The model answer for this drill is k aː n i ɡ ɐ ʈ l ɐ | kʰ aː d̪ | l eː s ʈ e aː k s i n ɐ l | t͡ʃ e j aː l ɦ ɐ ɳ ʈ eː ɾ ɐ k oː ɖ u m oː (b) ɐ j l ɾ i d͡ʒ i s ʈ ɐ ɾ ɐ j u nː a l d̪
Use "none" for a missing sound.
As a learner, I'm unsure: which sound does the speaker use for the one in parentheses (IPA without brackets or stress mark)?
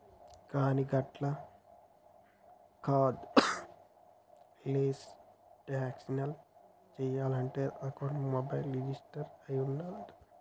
b